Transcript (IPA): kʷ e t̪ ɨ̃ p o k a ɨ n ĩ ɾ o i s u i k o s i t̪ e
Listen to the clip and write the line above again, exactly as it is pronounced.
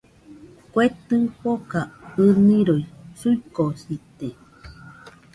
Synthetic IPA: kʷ e t̪ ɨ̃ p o k a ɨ n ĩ ɾ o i s u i k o s i t̪ e